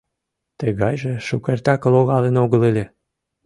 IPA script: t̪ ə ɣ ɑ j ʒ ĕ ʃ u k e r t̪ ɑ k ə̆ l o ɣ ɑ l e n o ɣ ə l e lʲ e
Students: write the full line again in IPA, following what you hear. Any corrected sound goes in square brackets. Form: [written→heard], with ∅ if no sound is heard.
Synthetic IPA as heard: t̪ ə ɣ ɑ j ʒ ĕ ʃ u k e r t̪ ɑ k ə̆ l o ɣ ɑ l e n o ɣ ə l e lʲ e